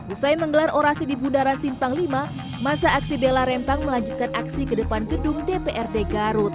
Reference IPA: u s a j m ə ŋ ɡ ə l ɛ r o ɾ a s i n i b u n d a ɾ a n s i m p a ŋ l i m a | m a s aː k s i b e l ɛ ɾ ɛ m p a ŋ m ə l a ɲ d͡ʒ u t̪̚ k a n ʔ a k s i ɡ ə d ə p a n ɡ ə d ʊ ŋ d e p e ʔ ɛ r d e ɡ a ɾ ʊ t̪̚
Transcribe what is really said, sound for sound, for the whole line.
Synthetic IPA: u s a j m ə ŋ ɡ ə l a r o ɾ a s i d i b u n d a ɾ a n s i m p a ŋ l i m a | m a s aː k s i b e l a ɾ ɛ m p a ŋ m ə l a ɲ d͡ʒ u t̪̚ k a n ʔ a k s i k ə d ə p a n ɡ ə d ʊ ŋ d e p e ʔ ɛ r d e ɡ a ɾ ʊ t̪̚